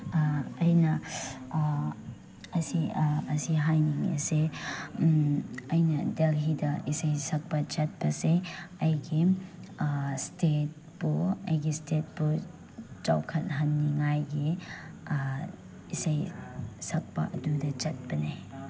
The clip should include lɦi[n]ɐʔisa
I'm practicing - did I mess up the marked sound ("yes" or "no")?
yes